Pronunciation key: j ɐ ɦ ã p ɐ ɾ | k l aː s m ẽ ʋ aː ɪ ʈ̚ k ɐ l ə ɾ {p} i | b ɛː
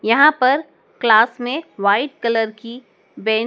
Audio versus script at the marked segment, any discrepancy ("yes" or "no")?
yes